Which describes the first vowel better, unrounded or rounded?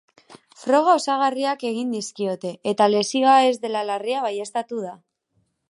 rounded